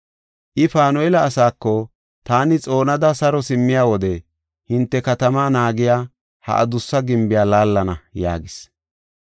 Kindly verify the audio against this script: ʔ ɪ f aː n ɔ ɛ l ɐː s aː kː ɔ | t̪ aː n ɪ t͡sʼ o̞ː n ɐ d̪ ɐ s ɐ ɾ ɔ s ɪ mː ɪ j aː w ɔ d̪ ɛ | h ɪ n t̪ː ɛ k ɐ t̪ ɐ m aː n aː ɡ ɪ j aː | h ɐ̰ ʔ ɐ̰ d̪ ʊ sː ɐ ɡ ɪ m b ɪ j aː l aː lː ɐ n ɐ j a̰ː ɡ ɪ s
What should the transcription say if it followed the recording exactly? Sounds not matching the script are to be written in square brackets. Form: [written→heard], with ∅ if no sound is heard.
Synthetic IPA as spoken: ʔ ɪ f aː n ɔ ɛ l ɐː s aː kː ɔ | t̪ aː n ɪ t͡sʼ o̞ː n ɐ d̪ ɐ s ɐ ɾ ɔ s ɪ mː ɪ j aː w ɔ d̪ ɛ | h ɪ n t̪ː ɛ k ɐ t̪ ɐ m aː n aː ɡ ɪ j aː | h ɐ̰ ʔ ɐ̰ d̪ ʊ sː ɐ ɡ ɪ m b ɪ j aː l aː lː ɐ n ɐ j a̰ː ɡ ɪ s